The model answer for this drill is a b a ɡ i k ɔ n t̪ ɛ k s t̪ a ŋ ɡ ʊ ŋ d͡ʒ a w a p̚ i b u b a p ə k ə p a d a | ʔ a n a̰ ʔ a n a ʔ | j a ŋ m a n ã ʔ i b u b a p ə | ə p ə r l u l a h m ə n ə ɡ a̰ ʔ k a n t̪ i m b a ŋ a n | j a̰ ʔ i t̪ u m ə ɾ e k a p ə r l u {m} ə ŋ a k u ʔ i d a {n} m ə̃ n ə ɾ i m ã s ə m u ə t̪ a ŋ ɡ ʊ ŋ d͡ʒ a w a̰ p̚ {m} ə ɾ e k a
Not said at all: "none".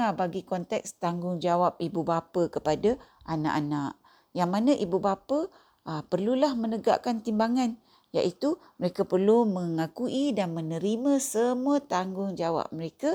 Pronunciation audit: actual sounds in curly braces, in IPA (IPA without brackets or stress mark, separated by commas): m, n, m